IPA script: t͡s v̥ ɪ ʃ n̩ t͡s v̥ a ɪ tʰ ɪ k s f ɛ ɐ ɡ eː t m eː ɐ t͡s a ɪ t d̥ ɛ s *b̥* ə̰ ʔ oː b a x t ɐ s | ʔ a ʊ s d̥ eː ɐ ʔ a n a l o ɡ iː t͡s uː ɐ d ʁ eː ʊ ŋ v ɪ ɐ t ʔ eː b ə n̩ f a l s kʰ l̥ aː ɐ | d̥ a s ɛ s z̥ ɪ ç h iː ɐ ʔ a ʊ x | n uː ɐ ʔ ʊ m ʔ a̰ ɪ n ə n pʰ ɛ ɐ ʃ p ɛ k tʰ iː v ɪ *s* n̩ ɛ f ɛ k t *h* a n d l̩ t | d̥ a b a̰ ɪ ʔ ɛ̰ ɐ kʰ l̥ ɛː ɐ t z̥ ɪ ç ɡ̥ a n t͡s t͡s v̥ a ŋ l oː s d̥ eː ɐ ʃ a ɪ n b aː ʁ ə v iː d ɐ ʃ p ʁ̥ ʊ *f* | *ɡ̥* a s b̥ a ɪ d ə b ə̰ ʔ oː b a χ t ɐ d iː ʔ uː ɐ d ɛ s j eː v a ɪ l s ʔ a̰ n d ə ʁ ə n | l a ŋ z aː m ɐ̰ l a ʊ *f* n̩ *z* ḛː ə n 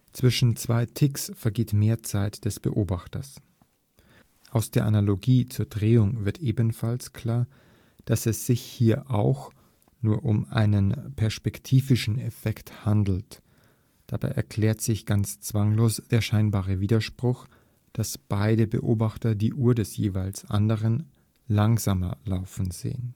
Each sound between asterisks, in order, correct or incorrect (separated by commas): correct, incorrect, correct, incorrect, incorrect, correct, correct